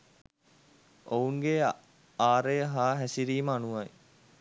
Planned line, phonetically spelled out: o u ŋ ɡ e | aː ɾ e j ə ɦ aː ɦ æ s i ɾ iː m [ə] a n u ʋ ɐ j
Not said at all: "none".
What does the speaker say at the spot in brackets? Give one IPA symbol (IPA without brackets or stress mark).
ə